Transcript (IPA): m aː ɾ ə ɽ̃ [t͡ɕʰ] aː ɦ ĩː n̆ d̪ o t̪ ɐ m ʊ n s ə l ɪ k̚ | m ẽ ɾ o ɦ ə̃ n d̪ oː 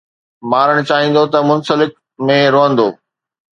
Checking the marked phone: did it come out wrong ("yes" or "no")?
yes